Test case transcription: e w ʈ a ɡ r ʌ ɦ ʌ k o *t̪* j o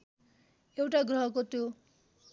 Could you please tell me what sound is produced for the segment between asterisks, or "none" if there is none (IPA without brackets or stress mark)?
t̪